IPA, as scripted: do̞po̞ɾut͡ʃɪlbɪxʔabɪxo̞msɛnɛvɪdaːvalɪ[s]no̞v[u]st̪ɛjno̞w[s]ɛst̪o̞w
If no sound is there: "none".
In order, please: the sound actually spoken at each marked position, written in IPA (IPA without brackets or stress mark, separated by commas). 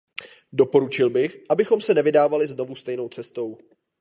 z, u, t͡s